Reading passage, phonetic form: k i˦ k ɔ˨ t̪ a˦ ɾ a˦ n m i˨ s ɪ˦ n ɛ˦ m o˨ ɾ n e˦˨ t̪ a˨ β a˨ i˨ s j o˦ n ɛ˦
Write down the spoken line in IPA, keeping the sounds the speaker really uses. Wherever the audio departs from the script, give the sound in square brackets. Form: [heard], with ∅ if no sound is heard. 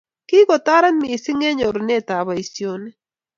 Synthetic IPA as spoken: k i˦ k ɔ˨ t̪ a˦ ɾ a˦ n m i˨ s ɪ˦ [ŋ] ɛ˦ [ɲ] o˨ ɾ n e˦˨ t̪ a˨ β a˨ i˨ s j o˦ n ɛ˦